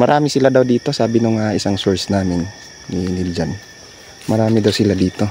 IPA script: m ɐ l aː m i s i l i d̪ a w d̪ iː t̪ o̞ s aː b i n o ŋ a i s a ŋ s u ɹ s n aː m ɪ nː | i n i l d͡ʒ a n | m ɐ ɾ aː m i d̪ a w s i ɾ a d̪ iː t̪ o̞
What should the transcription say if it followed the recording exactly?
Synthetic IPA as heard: m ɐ ɾ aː m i s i l a d̪ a w d̪ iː t̪ o̞ s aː b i n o ŋ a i s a ŋ s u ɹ s n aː m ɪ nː | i n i l d͡ʒ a n | m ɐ ɾ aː m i d̪ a w s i l a d̪ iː t̪ o̞